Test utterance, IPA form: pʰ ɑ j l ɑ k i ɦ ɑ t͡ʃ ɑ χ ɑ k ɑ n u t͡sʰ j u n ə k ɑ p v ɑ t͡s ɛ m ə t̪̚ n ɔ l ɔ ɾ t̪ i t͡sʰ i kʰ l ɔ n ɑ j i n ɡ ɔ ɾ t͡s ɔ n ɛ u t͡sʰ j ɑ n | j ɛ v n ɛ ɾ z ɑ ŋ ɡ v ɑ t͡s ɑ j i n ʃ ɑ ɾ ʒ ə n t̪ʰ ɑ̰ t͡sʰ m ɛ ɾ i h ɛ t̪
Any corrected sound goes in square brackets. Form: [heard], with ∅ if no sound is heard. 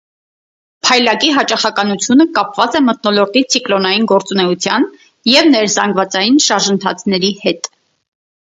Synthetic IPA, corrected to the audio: pʰ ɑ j l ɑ k i ɦ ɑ t͡ʃ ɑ χ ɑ k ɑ n u t͡sʰ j u n ə k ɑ p v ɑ t͡s ɛ m ə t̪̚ n ɔ l ɔ ɾ t̪ i t͡sʰ i [k] l ɔ n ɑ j i n ɡ ɔ ɾ t͡s [u] n ɛ u t͡sʰ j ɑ n | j ɛ v n ɛ ɾ z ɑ ŋ ɡ v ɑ t͡s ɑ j i n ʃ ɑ ɾ ʒ ə n t̪ʰ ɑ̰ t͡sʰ [n] ɛ ɾ i h ɛ t̪